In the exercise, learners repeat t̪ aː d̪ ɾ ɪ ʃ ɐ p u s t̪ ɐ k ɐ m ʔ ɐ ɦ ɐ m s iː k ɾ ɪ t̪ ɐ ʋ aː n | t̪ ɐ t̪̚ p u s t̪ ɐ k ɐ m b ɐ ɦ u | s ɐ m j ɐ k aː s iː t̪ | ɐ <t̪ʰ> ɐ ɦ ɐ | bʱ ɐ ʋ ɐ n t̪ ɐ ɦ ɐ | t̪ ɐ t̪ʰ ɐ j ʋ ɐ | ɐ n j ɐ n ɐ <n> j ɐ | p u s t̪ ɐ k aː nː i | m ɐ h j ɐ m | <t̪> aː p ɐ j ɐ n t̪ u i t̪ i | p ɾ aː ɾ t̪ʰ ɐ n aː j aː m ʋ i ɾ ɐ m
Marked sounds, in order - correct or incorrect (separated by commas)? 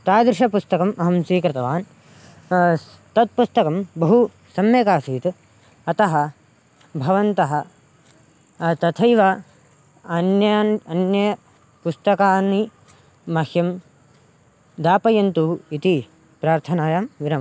incorrect, correct, incorrect